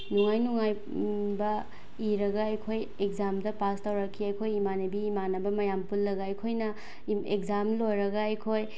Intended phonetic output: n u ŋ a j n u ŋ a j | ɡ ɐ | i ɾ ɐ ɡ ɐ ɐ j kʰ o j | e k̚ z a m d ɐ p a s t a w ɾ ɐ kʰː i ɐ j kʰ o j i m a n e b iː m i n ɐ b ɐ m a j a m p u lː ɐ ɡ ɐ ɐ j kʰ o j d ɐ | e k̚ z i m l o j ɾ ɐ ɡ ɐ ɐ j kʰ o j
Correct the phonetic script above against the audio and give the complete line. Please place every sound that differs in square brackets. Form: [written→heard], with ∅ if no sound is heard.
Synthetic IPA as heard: n u ŋ a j n u ŋ a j | [ɡ→b] ɐ | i ɾ ɐ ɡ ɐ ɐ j kʰ o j | e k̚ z a m d ɐ p a s t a w ɾ ɐ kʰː i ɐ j kʰ o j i m a n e b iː m [i→a] n ɐ b ɐ m [a→ɐ] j a m p u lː ɐ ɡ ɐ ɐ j kʰ o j [d→n] ɐ | e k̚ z [i→a] m l o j ɾ ɐ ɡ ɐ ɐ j kʰ o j